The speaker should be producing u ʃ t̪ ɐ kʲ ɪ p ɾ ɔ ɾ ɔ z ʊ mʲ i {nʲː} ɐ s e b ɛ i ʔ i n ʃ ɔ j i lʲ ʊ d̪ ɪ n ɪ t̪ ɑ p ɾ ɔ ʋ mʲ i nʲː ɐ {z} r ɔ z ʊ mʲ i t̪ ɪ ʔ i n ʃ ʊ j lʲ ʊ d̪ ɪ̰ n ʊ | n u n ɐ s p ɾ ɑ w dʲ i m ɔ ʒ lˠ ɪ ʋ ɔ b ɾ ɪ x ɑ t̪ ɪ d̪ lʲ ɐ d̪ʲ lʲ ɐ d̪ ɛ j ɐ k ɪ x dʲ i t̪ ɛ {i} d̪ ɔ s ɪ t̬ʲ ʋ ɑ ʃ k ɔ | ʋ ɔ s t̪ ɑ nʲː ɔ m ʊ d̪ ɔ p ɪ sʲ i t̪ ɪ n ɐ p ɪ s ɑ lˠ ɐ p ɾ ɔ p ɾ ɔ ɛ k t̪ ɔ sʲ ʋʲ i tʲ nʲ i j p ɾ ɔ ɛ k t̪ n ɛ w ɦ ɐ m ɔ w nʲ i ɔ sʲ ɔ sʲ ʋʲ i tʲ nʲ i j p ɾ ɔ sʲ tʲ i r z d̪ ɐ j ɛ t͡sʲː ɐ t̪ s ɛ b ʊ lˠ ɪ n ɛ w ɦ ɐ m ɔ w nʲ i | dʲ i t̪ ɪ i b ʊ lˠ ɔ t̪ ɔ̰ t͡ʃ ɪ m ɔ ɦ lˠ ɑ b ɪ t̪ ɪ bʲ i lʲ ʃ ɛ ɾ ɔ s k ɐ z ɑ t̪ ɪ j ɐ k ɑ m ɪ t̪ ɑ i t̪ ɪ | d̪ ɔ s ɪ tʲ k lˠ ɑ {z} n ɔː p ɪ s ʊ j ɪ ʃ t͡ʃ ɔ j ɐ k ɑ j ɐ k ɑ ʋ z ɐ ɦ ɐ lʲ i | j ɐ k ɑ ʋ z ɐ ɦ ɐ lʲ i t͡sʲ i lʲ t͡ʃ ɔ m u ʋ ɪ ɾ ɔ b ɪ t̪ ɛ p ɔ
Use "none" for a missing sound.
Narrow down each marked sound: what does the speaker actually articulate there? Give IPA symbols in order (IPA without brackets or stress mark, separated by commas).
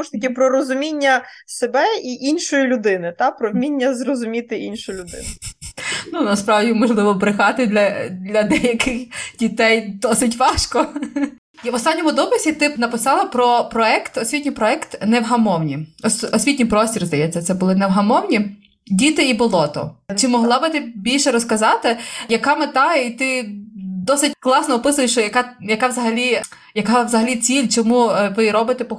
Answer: nʲː, z, j, s